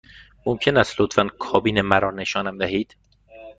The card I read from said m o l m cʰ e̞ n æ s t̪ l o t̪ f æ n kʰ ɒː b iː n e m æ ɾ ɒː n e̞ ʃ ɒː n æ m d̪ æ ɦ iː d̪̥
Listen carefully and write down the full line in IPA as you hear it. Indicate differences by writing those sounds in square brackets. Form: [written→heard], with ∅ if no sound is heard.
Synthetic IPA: m o [l→∅] m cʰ e̞ n æ s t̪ l o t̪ f æ n kʰ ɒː b iː n e m æ ɾ ɒː n e̞ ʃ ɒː n æ m d̪ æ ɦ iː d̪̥